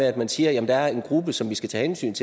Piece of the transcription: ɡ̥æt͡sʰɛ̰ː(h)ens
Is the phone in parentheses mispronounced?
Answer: no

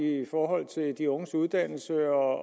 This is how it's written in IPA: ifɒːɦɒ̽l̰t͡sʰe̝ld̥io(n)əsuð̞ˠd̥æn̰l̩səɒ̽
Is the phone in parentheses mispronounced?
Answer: yes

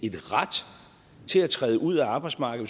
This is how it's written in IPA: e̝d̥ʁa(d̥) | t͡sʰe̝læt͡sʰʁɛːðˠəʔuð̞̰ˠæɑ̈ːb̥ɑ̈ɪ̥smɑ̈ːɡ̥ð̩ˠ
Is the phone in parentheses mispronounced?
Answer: no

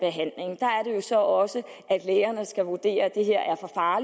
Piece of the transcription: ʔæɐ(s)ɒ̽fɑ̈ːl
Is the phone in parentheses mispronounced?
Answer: yes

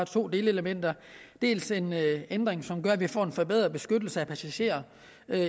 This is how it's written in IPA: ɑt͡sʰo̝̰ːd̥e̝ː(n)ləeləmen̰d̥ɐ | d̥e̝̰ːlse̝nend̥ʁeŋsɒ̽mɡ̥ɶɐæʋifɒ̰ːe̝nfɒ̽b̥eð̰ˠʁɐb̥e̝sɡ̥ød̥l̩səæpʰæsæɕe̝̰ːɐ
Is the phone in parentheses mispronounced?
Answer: yes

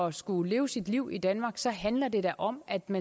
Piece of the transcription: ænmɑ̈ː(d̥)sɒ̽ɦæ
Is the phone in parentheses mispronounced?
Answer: yes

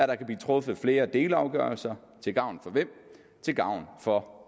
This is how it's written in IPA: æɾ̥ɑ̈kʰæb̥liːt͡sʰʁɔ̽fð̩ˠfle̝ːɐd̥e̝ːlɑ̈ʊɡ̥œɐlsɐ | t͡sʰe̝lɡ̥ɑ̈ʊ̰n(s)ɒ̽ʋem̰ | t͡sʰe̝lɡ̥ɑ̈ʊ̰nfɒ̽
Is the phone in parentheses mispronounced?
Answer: yes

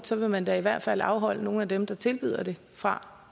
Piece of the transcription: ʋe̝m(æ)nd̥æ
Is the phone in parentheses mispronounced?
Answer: no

